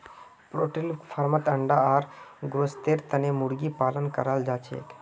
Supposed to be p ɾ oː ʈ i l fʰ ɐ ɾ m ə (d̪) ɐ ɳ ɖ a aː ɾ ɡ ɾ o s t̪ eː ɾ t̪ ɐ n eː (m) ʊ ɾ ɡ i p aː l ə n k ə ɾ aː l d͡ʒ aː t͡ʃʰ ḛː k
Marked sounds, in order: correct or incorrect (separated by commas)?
incorrect, correct